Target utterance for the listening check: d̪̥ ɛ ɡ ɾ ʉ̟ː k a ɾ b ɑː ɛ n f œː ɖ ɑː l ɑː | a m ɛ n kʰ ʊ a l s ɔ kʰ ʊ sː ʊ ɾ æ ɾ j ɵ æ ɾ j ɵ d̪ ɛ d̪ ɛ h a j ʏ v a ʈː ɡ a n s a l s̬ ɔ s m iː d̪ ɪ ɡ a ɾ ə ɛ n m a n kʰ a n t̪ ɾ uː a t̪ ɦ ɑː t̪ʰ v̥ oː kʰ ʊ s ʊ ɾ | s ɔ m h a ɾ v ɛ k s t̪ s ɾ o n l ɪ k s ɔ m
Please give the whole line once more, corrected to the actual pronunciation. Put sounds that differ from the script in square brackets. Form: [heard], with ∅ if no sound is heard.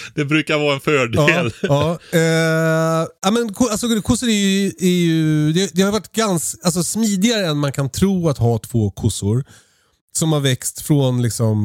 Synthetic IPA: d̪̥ ɛ [b] ɾ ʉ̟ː k a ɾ [v] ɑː ɛ n f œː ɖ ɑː l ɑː | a m ɛ n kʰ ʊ a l s ɔ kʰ ʊ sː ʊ ɾ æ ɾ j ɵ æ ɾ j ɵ d̪ ɛ d̪ ɛ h a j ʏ v a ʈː ɡ a n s a l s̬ ɔ s m iː d̪ ɪ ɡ a ɾ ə ɛ n m a n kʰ a n [t̪ʰ] ɾ uː a t̪ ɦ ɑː t̪ʰ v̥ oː kʰ ʊ s ʊ ɾ | s ɔ m h a ɾ v ɛ k s t̪ [f] ɾ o n l ɪ k s ɔ m